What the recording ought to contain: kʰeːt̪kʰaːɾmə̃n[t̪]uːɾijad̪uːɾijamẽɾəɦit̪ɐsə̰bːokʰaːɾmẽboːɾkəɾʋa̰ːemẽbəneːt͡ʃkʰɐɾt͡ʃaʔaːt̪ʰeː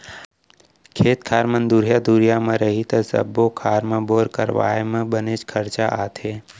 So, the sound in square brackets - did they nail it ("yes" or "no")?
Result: no